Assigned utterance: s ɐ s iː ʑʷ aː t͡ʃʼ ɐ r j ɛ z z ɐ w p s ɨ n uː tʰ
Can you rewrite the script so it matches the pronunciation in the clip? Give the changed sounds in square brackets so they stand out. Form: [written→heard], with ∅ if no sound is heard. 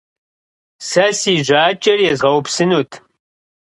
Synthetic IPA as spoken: s ɐ s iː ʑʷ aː t͡ʃʼ ɐ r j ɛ z [z→ʁ] ɐ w p s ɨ n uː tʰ